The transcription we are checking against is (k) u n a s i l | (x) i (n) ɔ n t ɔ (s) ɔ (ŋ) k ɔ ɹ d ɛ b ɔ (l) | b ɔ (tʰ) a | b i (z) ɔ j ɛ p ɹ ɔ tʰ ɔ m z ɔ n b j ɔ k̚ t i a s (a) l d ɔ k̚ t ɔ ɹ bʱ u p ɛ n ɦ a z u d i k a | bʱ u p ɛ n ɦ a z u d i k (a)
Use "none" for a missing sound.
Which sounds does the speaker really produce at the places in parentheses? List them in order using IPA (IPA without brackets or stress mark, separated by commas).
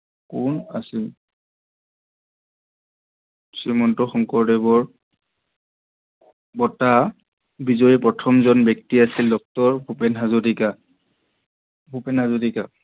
k, s, m, x, ŋ, ɹ, t, z, i, a